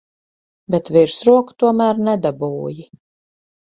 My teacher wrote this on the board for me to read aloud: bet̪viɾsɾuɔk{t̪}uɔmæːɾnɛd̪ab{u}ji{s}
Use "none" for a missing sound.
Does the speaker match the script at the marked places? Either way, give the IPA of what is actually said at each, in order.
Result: t̪, uː, none

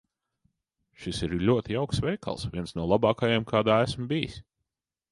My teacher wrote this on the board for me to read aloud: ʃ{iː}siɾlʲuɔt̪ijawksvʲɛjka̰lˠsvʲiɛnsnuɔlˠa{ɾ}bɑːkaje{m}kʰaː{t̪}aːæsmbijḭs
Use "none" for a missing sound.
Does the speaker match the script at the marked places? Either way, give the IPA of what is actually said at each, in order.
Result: i, none, m, d̪

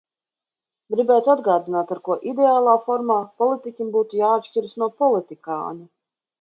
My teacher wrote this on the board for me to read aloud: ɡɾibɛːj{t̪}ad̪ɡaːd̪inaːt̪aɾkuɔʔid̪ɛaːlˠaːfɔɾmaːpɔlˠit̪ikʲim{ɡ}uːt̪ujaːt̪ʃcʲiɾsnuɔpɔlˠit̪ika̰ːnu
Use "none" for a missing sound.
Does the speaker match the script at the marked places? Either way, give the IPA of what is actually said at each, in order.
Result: t̪, b

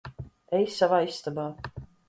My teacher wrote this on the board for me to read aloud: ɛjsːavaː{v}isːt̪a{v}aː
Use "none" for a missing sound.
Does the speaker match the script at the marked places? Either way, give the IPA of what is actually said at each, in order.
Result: none, b

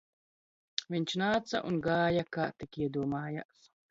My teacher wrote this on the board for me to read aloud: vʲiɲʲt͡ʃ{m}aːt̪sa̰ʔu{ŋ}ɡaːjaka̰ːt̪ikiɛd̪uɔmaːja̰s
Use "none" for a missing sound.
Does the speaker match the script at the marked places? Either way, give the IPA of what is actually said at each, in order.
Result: n, n

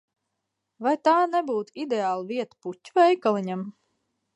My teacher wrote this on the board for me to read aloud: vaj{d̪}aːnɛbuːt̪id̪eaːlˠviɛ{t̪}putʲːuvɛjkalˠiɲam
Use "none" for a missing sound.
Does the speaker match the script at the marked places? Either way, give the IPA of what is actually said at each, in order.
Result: t̪, t̪

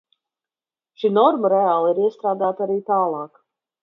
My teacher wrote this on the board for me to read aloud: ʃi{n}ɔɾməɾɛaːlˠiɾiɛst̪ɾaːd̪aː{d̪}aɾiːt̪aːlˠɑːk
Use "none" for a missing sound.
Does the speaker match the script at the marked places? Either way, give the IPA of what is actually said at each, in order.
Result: n, t̪

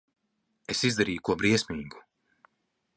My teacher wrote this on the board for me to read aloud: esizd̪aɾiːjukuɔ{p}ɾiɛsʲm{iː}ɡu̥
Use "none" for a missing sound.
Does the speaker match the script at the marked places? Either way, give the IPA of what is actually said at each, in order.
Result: b, iː

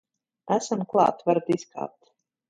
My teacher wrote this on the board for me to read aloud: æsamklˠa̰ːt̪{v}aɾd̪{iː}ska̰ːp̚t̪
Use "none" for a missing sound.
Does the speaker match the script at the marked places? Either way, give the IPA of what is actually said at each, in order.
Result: v, i

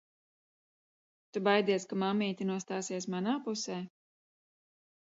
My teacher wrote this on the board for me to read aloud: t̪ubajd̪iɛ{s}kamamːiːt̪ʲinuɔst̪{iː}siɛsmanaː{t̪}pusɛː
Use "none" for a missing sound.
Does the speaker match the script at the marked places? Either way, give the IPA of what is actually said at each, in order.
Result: s, aː, none

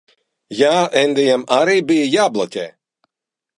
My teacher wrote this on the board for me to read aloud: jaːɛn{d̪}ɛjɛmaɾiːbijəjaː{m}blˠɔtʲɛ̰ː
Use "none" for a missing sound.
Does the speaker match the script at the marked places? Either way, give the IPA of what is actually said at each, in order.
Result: d̪, none

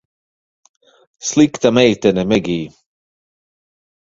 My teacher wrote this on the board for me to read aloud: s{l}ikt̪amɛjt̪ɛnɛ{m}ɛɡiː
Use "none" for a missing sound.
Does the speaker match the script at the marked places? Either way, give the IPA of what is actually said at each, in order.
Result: l, m

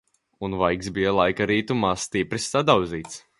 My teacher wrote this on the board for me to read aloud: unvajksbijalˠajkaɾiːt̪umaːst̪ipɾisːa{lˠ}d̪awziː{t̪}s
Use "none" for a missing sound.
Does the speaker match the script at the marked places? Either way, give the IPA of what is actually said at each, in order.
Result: none, t̪

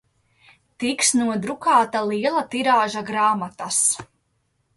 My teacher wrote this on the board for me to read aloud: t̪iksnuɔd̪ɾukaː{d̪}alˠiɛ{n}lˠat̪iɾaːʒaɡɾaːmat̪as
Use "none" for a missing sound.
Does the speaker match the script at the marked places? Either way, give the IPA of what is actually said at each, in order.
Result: t̪, none

